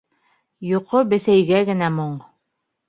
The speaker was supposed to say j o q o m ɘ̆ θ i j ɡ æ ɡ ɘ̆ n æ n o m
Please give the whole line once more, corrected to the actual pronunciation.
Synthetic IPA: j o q o b ɘ̆ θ æ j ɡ æ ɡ ɘ̆ n æ m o ɴ